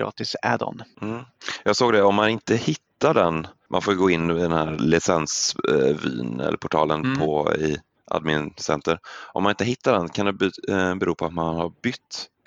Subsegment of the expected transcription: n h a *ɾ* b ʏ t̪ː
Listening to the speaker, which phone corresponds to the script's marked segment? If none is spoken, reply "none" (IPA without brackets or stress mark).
ɾ